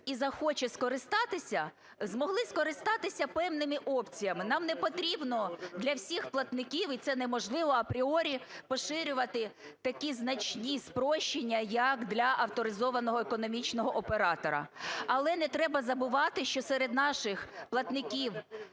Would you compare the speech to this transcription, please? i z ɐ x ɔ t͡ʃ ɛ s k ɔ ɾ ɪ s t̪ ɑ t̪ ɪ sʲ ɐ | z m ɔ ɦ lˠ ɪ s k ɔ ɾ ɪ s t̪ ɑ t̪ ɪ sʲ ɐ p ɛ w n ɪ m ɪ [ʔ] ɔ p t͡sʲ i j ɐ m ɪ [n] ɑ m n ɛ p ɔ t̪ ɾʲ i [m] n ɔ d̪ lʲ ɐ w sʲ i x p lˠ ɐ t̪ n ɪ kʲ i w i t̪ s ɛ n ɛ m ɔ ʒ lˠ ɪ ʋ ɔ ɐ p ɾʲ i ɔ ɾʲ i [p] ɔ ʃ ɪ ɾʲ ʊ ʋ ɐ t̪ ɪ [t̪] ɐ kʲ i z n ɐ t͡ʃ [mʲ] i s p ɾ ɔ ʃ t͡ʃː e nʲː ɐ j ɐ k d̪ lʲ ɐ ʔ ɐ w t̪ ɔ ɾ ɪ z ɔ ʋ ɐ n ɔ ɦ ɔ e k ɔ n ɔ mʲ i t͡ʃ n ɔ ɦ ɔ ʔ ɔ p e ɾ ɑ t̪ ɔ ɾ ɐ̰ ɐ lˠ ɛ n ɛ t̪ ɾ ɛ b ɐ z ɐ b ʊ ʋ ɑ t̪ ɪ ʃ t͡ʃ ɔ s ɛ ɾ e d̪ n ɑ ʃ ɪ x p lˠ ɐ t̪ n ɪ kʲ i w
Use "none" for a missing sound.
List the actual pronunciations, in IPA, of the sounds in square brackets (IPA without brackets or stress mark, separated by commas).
ʔ, n, b, p, t̪, nʲ